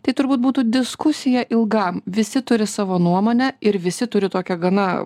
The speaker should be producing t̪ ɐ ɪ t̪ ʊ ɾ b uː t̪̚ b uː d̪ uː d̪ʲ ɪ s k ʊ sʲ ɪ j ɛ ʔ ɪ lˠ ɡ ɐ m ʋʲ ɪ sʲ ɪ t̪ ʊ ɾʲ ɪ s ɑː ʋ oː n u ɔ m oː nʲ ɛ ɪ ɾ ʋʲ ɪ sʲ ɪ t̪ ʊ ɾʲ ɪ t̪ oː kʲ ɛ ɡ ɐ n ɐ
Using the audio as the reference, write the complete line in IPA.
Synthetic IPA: t̪ ɐ ɪ t̪ ʊ ɾ b uː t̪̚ b uː t̪ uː d̪ʲ ɪ s k ʊ sʲ ɪ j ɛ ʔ ɪ lˠ ɡ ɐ m ʋʲ ɪ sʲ ɪ t̪ ʊ ɾʲ ɪ s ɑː ʋ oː n u ɔ m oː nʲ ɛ ɪ ɾ ʋʲ ɪ sʲ ɪ t̪ ʊ ɾʲ ɪ t̪ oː kʲ ɛ ɡ ɐ n ɐ